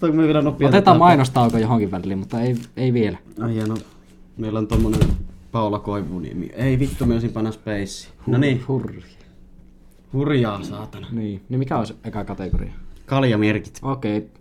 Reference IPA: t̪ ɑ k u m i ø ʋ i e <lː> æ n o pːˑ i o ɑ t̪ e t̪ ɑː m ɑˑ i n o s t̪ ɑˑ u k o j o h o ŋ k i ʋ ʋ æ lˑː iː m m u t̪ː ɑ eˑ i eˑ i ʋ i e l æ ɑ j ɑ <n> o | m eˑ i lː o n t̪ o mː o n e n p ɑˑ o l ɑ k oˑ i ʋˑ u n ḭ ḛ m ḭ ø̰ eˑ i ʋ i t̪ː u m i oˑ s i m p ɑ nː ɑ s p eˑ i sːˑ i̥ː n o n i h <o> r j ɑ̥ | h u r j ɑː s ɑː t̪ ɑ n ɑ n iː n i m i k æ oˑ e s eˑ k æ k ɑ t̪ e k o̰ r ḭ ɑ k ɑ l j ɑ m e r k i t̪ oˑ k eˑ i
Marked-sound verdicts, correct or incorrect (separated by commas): incorrect, correct, incorrect